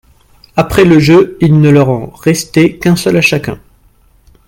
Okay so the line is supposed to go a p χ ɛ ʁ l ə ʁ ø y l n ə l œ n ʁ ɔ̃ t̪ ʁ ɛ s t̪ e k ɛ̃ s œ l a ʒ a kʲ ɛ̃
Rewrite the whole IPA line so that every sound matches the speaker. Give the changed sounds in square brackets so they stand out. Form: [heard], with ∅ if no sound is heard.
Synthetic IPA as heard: a p χ ɛ [∅] l ə [ʒ] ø [i] l n ə l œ [∅] ʁ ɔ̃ [∅] ʁ ɛ s t̪ e k ɛ̃ s œ l a [ʃ] a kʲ ɛ̃